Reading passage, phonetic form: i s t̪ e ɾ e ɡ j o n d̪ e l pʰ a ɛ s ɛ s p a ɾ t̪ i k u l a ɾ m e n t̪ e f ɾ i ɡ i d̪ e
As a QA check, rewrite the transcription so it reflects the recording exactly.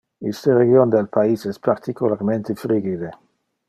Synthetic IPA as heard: i s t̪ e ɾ e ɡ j o n d̪ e l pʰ a i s ɛ s p a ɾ t̪ i k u l a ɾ m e n t̪ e f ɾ i ɡ i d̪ e